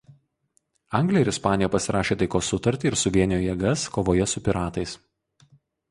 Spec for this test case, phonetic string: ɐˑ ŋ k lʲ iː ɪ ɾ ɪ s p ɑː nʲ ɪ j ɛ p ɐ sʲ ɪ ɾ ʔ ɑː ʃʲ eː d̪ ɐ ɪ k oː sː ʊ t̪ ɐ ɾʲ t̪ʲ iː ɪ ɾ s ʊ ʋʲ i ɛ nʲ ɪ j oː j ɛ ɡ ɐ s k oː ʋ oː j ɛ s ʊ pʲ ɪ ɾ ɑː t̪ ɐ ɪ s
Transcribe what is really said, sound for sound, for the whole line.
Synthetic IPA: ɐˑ ŋ ɡ lʲ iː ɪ ɾ ɪ s p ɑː nʲ ɪ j ɛ p ɐ sʲ ɪ ɾ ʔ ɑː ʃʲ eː t̪ ɐ ɪ k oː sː ʊ t̪ ɐ ɾʲ t̪ʲ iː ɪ ɾ s ʊ ʋʲ i ɛ nʲ ɪ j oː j ɛ ɡ ɐ s k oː ʋ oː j ɛ s ʊ pʲ ɪ ɾ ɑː t̪ ɐ ɪ s